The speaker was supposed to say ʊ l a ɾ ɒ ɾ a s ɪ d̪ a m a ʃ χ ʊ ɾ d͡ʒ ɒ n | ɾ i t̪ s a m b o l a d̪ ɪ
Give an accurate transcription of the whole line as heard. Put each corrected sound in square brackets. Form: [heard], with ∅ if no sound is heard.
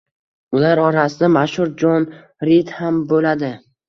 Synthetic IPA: ʊ l a ɾ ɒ ɾ a s ɪ d̪ a m a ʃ [h] ʊ ɾ d͡ʒ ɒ n | ɾ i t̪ [h] a m b o l a d̪ ɪ